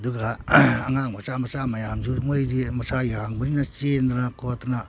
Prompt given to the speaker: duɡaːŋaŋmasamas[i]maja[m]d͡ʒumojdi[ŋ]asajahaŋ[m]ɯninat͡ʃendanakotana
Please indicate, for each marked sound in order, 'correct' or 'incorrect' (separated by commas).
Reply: incorrect, correct, incorrect, incorrect